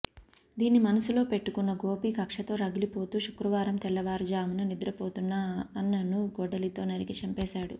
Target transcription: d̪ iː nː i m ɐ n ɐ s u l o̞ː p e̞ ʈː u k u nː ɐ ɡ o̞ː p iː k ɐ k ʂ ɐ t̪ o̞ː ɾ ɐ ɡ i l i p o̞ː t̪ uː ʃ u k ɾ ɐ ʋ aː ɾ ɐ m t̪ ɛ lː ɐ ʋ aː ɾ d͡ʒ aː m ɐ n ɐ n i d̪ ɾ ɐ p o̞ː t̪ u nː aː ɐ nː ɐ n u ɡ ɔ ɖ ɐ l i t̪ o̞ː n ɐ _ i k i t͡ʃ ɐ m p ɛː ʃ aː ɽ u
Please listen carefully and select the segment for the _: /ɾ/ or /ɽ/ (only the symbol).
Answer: ɾ